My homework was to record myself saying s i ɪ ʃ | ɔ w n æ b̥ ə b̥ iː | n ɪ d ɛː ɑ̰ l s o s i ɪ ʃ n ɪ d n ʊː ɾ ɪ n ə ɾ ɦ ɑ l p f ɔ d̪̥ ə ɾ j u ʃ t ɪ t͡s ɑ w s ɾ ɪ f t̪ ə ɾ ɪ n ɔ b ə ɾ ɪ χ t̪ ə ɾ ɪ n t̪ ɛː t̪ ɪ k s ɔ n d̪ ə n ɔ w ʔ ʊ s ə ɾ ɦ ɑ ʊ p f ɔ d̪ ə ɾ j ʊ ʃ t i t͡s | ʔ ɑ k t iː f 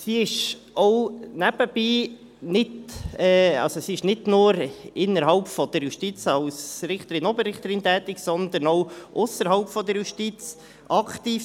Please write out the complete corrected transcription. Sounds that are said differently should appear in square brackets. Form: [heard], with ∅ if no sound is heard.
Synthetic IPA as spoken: s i ɪ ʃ | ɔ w n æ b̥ ə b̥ iː | n ɪ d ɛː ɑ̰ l s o s i ɪ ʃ n ɪ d n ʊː ɾ ɪ n ə ɾ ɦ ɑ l p f ɔ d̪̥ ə ɾ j u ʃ t [i] t͡s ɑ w s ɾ ɪ [χ] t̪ ə ɾ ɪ n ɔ b ə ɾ ɪ χ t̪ ə ɾ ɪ n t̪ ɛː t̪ ɪ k s ɔ n d̪ ə n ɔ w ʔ ʊ s ə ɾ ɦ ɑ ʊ p f ɔ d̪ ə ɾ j [u] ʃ t i t͡s | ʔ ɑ k t iː f